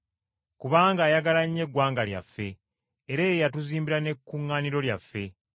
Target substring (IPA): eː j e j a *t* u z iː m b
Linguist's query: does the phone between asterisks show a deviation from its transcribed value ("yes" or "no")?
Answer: no